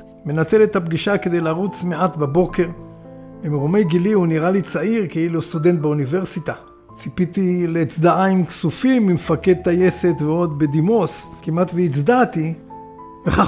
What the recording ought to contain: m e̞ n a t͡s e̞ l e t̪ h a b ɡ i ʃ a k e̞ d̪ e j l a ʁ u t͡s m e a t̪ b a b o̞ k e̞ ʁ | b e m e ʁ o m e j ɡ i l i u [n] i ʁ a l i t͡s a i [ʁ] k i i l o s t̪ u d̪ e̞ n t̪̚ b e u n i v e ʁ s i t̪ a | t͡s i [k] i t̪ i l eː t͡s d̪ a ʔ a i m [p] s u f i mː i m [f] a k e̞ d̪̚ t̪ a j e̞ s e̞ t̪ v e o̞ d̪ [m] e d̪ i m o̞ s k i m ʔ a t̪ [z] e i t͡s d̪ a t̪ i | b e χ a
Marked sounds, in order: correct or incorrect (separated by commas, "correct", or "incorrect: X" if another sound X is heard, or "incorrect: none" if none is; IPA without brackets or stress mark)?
correct, correct, incorrect: p, incorrect: k, correct, incorrect: b, incorrect: v